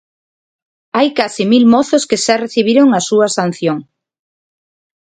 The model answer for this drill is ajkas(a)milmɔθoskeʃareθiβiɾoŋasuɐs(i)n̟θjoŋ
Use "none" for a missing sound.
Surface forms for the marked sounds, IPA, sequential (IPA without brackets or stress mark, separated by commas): i, a